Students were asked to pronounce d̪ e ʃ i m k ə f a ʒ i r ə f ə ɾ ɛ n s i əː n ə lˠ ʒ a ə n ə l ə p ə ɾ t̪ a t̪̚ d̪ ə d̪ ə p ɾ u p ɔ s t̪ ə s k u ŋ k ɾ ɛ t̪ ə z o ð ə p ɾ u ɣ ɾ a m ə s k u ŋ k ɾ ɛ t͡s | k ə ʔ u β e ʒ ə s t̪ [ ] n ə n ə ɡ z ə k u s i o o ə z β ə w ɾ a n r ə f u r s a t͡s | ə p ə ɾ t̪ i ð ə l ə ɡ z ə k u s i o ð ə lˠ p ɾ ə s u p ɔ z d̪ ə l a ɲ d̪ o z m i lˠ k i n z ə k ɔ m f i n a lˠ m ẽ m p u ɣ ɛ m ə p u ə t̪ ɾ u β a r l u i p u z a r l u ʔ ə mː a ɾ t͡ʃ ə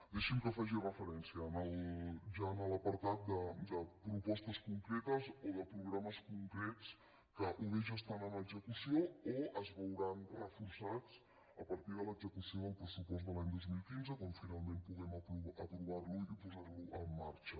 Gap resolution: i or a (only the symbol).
a